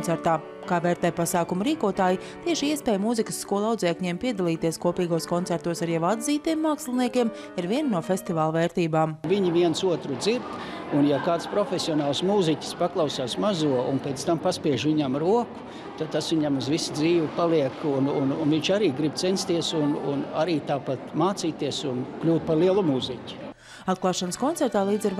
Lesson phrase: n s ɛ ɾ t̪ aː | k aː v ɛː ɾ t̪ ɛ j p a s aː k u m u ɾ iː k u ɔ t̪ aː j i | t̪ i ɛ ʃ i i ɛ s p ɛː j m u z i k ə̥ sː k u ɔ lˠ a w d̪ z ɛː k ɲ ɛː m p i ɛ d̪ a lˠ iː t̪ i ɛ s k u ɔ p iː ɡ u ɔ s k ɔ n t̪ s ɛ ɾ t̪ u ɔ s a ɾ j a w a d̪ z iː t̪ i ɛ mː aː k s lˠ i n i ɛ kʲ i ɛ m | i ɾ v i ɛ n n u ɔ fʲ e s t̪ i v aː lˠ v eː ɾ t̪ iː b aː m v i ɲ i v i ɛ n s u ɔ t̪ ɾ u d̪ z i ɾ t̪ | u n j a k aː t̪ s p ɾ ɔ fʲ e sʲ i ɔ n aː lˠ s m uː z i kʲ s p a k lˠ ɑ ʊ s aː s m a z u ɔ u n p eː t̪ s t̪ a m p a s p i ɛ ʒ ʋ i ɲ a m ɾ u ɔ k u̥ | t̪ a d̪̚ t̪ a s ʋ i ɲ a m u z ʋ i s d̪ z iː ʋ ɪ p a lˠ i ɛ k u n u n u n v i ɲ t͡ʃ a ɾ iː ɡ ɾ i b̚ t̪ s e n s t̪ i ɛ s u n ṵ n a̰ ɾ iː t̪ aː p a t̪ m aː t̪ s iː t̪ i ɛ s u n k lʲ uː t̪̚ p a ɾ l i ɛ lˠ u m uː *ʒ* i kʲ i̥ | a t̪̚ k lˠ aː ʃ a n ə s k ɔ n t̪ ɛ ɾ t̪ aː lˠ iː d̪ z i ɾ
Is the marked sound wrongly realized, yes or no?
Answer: yes